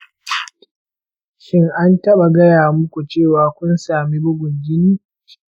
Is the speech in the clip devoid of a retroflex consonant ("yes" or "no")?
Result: yes